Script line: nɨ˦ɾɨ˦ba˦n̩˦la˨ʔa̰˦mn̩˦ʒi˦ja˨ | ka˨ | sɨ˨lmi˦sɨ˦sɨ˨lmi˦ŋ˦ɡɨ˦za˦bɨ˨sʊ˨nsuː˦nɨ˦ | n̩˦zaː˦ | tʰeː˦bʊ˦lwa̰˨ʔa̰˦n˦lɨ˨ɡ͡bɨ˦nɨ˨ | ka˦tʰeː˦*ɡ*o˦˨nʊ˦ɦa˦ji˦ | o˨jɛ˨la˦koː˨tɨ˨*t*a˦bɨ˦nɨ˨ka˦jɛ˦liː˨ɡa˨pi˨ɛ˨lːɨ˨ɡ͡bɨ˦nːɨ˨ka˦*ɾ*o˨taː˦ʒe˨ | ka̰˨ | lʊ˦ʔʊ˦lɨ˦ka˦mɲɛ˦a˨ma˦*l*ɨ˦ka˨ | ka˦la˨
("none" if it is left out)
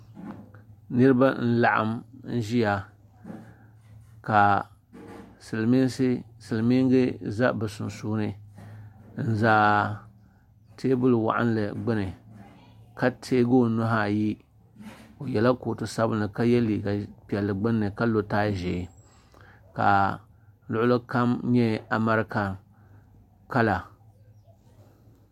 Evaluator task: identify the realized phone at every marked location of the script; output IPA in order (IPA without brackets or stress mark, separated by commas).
ɡ, s, l, ɾ